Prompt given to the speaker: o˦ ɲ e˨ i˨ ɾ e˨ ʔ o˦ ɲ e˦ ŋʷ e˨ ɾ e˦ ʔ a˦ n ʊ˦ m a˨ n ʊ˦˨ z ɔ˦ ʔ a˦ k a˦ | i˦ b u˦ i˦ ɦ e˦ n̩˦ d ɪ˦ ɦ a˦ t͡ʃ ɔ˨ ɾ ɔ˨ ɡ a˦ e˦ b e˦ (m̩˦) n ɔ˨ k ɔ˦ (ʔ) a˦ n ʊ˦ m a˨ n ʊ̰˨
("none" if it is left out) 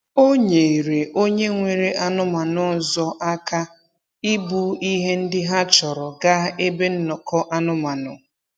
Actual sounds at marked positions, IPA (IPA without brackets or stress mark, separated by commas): n̩˦, ʔ